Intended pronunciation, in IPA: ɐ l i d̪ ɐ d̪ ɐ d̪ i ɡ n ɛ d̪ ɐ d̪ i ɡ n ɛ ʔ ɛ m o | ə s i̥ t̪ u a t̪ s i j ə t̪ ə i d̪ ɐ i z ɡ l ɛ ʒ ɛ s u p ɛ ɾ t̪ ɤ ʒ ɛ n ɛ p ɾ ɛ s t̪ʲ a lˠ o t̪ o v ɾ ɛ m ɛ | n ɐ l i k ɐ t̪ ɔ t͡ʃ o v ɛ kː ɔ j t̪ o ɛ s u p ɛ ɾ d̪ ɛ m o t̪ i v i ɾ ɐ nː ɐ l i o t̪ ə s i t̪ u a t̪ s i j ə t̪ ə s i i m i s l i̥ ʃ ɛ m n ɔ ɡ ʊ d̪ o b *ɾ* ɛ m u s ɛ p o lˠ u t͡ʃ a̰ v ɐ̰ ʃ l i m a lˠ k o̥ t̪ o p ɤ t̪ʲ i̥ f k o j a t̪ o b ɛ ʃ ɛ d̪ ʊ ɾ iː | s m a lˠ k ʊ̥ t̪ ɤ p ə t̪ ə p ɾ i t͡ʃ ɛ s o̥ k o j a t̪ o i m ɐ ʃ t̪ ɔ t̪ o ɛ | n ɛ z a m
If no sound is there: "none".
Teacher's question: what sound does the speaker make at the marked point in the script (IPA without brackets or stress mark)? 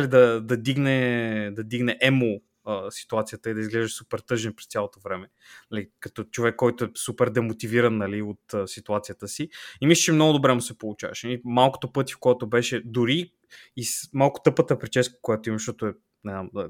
ɾ